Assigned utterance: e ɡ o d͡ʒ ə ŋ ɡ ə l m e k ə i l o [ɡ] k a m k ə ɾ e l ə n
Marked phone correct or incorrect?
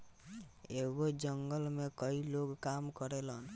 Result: correct